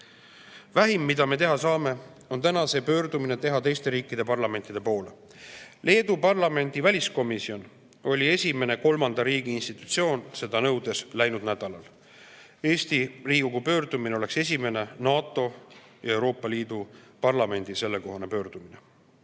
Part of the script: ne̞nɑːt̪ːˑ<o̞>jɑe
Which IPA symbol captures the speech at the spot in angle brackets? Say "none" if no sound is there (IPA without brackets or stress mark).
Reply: o̞